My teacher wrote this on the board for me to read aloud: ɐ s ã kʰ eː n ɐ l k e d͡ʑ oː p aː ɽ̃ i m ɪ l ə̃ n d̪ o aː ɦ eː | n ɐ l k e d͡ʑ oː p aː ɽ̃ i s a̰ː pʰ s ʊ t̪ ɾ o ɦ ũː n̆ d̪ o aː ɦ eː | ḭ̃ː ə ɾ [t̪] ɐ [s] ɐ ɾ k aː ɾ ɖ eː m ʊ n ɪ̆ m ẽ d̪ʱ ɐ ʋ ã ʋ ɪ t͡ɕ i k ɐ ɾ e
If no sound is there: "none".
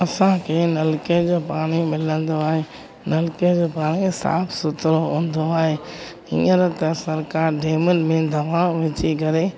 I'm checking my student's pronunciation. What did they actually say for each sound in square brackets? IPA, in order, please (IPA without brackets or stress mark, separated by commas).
t̪, s